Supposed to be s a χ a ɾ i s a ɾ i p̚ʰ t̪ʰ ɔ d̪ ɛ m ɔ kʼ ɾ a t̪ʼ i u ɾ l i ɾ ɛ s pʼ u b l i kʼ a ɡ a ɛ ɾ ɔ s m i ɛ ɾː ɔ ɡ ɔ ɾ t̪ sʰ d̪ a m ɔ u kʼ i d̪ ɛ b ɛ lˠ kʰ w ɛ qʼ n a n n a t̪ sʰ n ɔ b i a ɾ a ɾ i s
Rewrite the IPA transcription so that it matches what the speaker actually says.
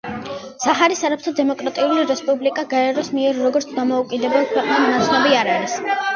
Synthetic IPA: s a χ a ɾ i s a ɾ a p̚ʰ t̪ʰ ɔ d̪ ɛ m ɔ kʼ ɾ a t̪ʼ i u l i ɾ ɛ s pʼ u b l i kʼ a ɡ a ɛ ɾ ɔ s m i ɛ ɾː ɔ ɡ ɔ ɾ t̪ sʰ d̪ a m ɔ u kʼ i d̪ ɛ b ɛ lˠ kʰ w ɛ qʼ n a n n a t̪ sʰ n ɔ b i a ɾ a ɾ i s

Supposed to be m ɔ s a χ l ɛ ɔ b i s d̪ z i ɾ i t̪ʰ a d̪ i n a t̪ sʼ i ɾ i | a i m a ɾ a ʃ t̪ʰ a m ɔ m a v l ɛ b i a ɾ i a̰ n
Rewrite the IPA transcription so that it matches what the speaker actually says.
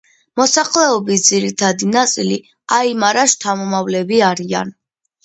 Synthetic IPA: m ɔ s a χ l ɛ ɔ b i s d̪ z i ɾ i t̪ʰ a d̪ i n a t̪ sʼ i l i | a i m a ɾ a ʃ t̪ʰ a m ɔ m a v l ɛ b i a ɾ i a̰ n

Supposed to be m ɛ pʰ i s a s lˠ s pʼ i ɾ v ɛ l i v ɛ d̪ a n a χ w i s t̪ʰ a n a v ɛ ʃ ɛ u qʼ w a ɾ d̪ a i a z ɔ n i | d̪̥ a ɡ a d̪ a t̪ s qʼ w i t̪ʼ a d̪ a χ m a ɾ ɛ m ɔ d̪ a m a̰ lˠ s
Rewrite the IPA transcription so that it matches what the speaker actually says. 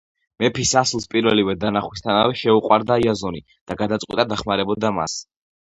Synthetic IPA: m ɛ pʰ i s a s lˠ s pʼ i ɾ v ɛ l i v ɛ d̪ a n a χ w i s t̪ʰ a n a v ɛ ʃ ɛ u qʼ w a ɾ d̪ a i a z ɔ n i | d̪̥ a ɡ a d̪ a t̪ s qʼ w i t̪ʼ a d̪ a χ m a ɾ ɛ b ɔ d̪ a m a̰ s

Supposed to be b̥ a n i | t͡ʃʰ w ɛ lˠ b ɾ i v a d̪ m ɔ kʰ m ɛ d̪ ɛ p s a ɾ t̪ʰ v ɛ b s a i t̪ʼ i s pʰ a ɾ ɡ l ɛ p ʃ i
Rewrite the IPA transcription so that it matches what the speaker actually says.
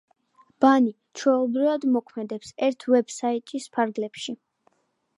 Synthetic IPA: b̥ a n i | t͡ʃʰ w ɛ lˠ b ɾ i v a d̪ m ɔ kʰ m ɛ d̪ ɛ p s ɛ ɾ t̪ʰ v ɛ b s a i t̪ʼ i s pʰ a ɾ ɡ l ɛ p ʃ i

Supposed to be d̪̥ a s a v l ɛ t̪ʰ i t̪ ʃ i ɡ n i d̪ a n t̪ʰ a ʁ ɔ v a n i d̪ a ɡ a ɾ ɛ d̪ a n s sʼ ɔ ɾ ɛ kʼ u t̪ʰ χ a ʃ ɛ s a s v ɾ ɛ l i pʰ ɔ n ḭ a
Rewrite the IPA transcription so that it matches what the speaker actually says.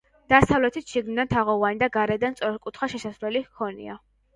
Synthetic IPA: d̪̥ a s a v l ɛ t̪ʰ i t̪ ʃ i ɡ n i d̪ a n t̪ʰ a ʁ ɔ v a n i d̪ a ɡ a ɾ ɛ d̪ a n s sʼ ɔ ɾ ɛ kʼ u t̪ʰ χ a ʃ ɛ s a s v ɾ ɛ l i kʰ ɔ n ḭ a

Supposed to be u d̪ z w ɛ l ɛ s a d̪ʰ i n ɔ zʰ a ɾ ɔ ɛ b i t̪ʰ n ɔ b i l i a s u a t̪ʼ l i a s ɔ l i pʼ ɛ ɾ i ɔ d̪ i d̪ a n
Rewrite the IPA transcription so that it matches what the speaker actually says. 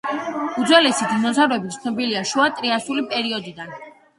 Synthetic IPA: u d̪ z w ɛ l ɛ s i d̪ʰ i n ɔ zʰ a ɾ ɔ ɛ b i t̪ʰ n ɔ b i l i a ʃ u a t̪ʼ ɾ i a s u l i pʼ ɛ ɾ i ɔ d̪ i d̪ a n

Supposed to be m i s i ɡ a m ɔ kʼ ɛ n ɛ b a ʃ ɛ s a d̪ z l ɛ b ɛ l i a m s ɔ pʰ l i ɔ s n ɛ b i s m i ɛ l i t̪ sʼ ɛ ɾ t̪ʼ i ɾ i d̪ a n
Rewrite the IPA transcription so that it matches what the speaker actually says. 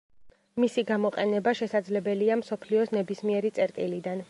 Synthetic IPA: m i s i ɡ a m ɔ qʼ ɛ n ɛ b a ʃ ɛ s a d̪ z l ɛ b ɛ l i a m s ɔ pʰ l i ɔ s n ɛ b i s m i ɛ ɾ i t̪ sʼ ɛ ɾ t̪ʼ i l i d̪ a n

